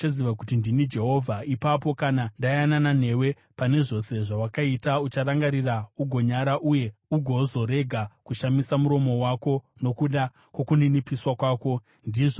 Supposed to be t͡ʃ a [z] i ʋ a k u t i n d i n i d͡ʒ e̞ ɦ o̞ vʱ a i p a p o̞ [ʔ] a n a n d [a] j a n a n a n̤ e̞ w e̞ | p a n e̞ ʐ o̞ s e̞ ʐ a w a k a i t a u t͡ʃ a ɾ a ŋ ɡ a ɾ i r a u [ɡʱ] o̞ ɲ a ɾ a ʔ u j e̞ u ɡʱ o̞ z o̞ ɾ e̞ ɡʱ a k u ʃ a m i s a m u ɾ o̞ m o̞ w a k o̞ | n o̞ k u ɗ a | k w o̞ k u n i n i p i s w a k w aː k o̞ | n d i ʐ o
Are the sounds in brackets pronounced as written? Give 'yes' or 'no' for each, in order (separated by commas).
yes, no, yes, yes